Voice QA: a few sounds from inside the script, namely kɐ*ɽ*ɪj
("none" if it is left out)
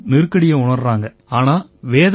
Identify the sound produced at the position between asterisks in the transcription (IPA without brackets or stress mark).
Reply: ɽ